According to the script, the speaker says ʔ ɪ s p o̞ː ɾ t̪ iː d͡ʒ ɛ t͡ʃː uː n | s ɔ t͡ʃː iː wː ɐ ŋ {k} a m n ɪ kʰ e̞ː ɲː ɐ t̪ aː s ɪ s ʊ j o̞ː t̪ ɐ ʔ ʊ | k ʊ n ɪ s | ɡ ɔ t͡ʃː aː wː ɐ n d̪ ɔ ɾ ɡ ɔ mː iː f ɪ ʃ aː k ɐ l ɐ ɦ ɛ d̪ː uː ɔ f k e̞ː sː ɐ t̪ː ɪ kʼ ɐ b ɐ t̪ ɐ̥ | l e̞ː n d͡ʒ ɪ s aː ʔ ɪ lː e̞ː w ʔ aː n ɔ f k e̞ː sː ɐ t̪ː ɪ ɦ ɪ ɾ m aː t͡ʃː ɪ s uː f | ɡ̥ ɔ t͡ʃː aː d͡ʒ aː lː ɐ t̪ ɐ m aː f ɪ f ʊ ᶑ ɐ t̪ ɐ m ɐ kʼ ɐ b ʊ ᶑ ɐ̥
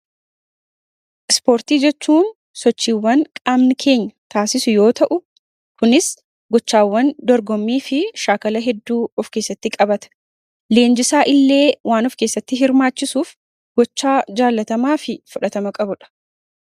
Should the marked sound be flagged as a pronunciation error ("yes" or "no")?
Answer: yes